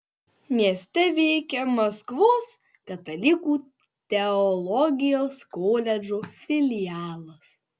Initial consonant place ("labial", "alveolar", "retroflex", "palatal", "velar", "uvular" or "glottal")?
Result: labial